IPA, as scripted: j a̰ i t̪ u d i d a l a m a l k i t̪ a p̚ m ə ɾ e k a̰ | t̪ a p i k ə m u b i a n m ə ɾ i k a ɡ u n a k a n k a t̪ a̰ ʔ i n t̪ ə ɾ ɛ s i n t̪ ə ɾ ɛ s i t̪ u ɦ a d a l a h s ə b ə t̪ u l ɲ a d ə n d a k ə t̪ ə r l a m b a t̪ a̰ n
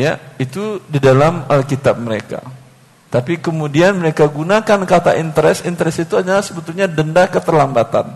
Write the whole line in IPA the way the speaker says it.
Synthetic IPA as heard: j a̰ i t̪ u d i d a l a m a l k i t̪ a p̚ m ə ɾ e k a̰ | t̪ a p i k ə m u d i a n m ə ɾ e k a ɡ u n a k a n k a t̪ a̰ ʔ i n t̪ ə ɾ ɛ s i n t̪ ə ɾ ɛ s i t̪ u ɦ a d a l a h s ə b ə t̪ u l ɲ a d ə n d a k ə t̪ ə r l a m b a t̪ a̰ n